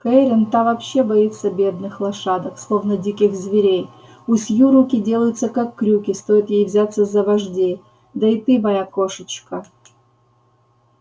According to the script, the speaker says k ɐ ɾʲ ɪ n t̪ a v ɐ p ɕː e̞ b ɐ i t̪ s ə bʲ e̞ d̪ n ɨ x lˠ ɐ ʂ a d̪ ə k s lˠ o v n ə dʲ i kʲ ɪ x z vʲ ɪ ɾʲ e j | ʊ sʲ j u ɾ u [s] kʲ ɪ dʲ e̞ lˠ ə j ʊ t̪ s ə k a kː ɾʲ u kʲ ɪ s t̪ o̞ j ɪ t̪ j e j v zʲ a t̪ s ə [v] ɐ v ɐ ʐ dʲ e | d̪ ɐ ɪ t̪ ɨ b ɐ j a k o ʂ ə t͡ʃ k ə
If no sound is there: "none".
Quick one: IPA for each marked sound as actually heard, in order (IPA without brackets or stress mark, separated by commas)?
none, z